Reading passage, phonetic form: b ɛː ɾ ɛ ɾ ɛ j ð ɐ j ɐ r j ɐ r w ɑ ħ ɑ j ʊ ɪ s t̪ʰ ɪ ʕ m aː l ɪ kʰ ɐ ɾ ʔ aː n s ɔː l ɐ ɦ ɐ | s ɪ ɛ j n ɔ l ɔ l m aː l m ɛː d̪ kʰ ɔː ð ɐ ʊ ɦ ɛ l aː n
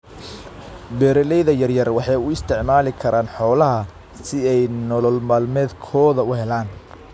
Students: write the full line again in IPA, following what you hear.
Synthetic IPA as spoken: b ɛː ɾ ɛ l ɛ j ð ɐ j ɐ r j ɐ r w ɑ ħ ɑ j ʊ ɪ s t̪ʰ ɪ ʕ m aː l ɪ kʰ ɐ ɾ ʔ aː n ħ ɔː l ɐ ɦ ɐ | s ɪ ɛ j n ɔ l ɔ l m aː l m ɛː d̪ kʰ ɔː ð ɐ ʊ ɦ ɛ l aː n